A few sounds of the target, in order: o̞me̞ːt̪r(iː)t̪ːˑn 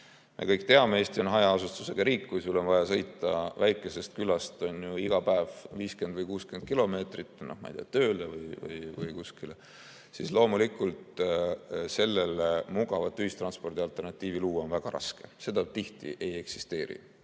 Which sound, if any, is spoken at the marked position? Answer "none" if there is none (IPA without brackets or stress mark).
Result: i